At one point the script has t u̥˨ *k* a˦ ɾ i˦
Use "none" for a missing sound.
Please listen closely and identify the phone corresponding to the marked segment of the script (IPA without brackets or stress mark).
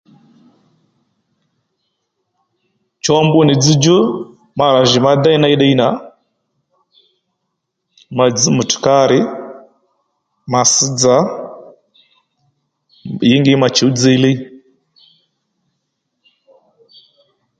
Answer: k